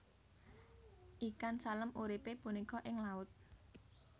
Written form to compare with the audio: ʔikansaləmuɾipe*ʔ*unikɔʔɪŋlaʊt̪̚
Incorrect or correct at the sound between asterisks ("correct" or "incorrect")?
incorrect